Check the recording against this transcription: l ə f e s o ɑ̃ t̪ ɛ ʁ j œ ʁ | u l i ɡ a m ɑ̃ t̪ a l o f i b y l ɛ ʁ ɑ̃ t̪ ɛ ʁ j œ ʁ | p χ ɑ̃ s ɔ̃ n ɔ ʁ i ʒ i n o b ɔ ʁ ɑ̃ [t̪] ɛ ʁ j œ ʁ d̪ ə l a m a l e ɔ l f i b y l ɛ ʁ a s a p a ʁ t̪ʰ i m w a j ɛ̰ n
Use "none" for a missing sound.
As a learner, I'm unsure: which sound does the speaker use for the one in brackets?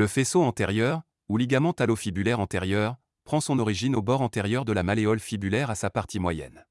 t̪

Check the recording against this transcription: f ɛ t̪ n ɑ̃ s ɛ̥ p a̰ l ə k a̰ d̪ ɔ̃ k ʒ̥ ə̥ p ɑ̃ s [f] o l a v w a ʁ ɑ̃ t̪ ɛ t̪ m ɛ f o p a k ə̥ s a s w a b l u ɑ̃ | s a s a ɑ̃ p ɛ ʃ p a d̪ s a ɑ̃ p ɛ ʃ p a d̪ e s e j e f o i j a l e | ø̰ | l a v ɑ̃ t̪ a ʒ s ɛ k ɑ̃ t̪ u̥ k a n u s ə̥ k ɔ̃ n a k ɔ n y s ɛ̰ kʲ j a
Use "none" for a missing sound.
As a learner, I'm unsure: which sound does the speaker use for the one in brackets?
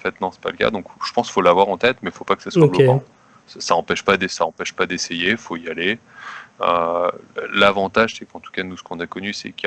f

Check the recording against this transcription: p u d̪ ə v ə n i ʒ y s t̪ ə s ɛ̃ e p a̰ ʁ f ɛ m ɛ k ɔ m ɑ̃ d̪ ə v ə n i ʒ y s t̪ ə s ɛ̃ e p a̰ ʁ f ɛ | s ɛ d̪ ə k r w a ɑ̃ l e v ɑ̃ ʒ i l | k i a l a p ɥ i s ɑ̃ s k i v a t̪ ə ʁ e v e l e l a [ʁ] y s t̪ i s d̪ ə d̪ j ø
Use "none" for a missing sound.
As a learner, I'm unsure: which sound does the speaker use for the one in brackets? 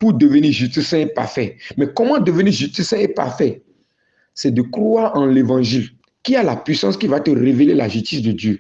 ʒ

